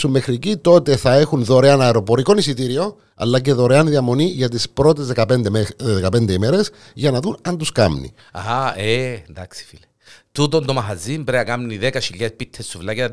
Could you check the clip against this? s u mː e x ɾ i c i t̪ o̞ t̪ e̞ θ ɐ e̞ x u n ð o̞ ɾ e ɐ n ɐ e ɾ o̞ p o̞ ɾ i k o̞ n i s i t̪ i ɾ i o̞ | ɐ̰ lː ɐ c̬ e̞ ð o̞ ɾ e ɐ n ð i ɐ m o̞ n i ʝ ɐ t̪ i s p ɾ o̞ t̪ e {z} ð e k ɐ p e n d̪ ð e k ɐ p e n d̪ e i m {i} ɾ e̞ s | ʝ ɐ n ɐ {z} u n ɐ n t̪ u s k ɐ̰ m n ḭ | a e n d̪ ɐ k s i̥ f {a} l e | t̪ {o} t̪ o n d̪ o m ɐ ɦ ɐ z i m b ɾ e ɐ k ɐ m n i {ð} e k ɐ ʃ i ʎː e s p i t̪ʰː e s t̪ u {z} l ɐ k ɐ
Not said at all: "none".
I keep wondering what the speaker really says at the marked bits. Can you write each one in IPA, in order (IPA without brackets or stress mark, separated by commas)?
z, e, ð, i, u, ð, v